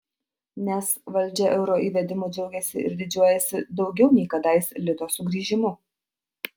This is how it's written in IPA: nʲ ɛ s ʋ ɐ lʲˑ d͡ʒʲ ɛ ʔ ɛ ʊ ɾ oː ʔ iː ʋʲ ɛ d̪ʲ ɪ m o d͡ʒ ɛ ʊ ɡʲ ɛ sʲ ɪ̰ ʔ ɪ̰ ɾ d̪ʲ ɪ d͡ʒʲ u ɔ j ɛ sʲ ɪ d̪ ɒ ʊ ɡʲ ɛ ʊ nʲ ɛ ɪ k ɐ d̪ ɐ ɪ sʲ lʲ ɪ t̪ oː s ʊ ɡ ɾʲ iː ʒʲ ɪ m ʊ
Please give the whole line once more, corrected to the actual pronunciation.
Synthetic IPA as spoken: nʲ ɛ s ʋ ɐ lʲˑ d͡ʒʲ ɛ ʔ ɛ ʊ ɾ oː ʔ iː ʋʲ ɛ d̪ʲ ɪ m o d͡ʒ ɛ ʊ ɡʲ ɛ sʲ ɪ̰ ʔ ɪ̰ ɾ d̪ʲ ɪ d͡ʒʲ u ɔ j ɛ sʲ ɪ d̪ ɒ ʊ ɡʲ ɛ ʊ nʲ ɛ ɪ k ɐ d̪ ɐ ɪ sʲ lʲ ɪ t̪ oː s ʊ ɡ ɾʲ iː ʒʲ ɪ m ʊ

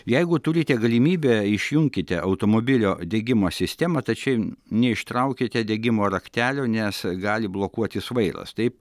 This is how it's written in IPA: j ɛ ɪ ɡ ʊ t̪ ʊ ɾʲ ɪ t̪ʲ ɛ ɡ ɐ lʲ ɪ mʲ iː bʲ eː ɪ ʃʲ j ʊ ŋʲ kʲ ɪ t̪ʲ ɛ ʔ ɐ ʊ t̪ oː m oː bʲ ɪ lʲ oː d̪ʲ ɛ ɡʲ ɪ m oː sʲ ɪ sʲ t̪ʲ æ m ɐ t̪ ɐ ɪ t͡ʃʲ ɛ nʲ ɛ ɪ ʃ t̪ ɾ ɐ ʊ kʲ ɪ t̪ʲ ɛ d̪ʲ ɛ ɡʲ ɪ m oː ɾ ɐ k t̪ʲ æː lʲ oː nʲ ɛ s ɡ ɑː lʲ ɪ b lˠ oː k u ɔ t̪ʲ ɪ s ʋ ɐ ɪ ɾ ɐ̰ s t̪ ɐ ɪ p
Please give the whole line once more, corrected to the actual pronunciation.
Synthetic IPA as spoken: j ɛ ɪ ɡ ʊ t̪ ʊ ɾʲ ɪ t̪ʲ ɛ ɡ ɐ lʲ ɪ mʲ iː bʲ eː ɪ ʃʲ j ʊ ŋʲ kʲ ɪ t̪ʲ ɛ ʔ ɐ ʊ t̪ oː m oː bʲ ɪ lʲ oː d̪ʲ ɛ ɡʲ ɪ m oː sʲ ɪ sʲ t̪ʲ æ m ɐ t̪ ɐ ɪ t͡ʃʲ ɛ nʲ ɛ ɪ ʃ t̪ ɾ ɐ ʊ kʲ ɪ t̪ʲ ɛ d̪ʲ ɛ ɡʲ ɪ m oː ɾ ɐ k t̪ʲ æː lʲ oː nʲ ɛ s ɡ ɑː lʲ ɪ b lˠ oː k u ɔ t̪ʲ ɪ s ʋ ɐ ɪ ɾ ɐ̰ s t̪ ɐ ɪ p

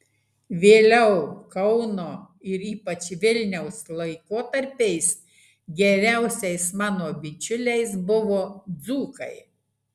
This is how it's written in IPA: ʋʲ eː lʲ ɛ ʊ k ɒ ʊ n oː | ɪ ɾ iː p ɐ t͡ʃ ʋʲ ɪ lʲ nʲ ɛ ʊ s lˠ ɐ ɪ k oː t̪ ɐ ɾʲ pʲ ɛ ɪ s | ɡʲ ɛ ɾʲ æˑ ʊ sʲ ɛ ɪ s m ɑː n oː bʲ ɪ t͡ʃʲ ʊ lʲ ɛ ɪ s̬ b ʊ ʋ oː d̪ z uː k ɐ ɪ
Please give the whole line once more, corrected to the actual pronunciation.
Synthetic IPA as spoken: ʋʲ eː lʲ ɛ ʊ k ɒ ʊ n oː | ɪ ɾ iː p ɐ t͡ʃ ʋʲ ɪ lʲ nʲ ɛ ʊ s lˠ ɐ ɪ k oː t̪ ɐ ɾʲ pʲ ɛ ɪ s | ɡʲ ɛ ɾʲ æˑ ʊ sʲ ɛ ɪ s m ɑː n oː bʲ ɪ t͡ʃʲ ʊ lʲ ɛ ɪ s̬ b ʊ ʋ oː d̪ z uː k ɐ ɪ

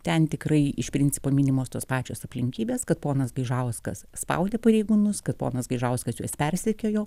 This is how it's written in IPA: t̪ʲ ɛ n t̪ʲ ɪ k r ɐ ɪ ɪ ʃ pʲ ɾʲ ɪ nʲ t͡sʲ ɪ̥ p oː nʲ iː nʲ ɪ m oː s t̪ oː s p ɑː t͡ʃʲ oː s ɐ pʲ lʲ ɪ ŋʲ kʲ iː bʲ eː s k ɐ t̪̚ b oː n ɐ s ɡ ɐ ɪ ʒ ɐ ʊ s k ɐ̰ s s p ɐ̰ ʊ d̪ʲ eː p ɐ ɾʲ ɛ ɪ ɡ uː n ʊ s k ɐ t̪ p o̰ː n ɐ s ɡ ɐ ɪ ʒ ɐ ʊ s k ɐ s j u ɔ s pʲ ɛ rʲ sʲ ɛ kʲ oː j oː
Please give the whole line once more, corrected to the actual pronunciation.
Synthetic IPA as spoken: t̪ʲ ɛ n t̪ʲ ɪ k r ɐ ɪ ɪ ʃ pʲ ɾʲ ɪ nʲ t͡sʲ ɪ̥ p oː mʲ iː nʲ ɪ m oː s t̪ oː s p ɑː t͡ʃʲ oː s ɐ pʲ lʲ ɪ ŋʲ kʲ iː bʲ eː s k ɐ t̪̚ p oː n ɐ s ɡ ɐ ɪ ʒ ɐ ʊ s k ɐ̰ s s p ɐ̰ ʊ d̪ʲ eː p ɐ ɾʲ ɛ ɪ ɡ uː n ʊ s k ɐ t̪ p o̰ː n ɐ s ɡ ɐ ɪ ʒ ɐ ʊ s k ɐ s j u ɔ s pʲ ɛ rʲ sʲ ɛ kʲ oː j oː

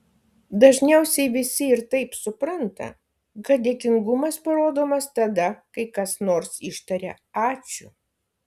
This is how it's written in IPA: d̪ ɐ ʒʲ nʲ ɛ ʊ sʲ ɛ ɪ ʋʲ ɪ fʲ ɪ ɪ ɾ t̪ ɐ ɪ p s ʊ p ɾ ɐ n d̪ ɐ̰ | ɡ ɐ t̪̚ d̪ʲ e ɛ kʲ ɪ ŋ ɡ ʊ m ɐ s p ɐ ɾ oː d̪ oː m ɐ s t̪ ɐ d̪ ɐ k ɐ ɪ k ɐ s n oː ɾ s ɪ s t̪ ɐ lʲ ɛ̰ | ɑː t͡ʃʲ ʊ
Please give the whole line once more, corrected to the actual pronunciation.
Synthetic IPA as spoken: d̪ ɐ ʒʲ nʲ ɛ ʊ sʲ ɛ ɪ ʋʲ ɪ sʲ ɪ ɪ ɾ t̪ ɐ ɪ p s ʊ p ɾ ɐ n t̪ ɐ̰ | ɡ ɐ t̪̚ d̪ʲ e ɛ kʲ ɪ ŋ ɡ ʊ m ɐ s p ɐ ɾ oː d̪ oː m ɐ s t̪ ɐ d̪ ɐ k ɐ ɪ k ɐ s n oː ɾ s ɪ ʃ t̪ ɐ ɾʲ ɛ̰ | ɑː t͡ʃʲ ʊ

